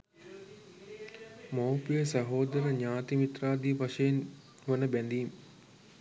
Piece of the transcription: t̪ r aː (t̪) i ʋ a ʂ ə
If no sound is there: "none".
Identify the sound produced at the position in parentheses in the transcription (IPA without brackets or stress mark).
d̪